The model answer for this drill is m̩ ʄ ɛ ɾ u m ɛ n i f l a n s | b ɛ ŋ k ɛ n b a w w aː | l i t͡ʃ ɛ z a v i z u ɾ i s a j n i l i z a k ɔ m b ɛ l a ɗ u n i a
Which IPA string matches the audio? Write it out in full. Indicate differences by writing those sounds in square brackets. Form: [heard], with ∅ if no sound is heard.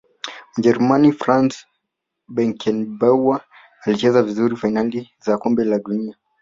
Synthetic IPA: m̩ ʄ ɛ ɾ u m [a] n i f [ɾ] a n s | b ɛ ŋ k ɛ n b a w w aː | l i t͡ʃ ɛ z a v i z u ɾ i [f] a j n [a] l i z a k ɔ m b ɛ l a ɗ u n i a